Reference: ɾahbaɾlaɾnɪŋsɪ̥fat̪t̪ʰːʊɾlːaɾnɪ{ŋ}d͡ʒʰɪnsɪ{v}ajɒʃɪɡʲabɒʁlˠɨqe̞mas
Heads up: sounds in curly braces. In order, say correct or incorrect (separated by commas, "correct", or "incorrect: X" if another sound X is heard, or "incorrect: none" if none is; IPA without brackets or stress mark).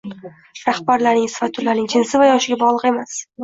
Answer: correct, correct